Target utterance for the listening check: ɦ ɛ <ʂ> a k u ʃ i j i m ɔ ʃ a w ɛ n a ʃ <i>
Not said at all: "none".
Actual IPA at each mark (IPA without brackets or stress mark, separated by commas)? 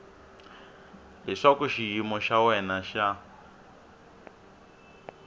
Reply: ʂ, a